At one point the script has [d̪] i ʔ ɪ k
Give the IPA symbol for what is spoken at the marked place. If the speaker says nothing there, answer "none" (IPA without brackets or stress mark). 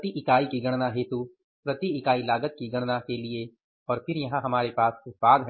t̪